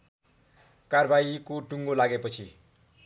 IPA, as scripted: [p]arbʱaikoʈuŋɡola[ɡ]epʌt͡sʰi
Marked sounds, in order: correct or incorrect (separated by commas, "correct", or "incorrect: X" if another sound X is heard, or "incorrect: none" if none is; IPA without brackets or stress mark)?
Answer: incorrect: k, correct